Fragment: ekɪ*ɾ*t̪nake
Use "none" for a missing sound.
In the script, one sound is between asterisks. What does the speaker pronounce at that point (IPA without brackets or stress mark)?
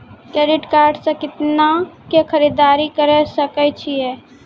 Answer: none